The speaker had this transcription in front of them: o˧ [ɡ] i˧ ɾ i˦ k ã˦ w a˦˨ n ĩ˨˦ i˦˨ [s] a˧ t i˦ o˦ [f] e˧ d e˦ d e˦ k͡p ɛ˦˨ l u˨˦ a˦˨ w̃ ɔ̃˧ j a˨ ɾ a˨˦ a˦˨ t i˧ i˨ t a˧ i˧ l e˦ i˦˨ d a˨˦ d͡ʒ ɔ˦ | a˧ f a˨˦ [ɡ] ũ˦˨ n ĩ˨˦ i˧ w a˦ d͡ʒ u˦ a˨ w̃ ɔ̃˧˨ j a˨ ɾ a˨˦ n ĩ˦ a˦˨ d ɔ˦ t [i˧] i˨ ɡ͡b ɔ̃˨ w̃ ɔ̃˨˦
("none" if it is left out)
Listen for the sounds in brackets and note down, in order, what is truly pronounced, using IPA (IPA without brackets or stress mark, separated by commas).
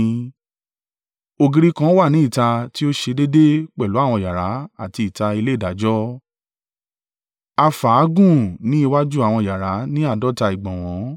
ɡ, t, ʃ, ɡ, a˧